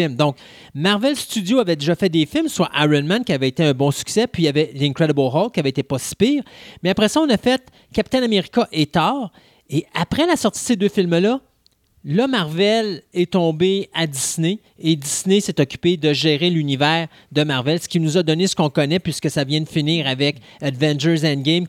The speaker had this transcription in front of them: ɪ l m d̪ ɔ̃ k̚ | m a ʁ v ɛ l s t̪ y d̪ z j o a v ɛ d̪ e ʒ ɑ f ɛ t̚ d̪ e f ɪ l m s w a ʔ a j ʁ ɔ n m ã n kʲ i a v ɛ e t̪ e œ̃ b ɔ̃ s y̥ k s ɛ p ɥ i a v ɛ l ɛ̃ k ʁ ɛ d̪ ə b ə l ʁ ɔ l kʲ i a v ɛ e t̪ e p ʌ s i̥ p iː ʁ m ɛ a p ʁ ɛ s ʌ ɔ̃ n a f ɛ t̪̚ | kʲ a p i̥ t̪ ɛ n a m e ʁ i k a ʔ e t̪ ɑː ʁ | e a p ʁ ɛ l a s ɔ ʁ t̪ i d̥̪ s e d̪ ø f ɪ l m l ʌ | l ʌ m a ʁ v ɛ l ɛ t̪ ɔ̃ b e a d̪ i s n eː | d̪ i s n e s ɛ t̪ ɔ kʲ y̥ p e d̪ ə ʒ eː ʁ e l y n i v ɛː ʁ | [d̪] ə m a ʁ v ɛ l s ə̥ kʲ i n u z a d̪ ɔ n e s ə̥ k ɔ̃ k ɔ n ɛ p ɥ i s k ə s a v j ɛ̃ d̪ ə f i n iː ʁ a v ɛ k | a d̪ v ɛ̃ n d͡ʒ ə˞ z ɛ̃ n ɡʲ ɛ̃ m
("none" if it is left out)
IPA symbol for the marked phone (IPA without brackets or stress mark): d̪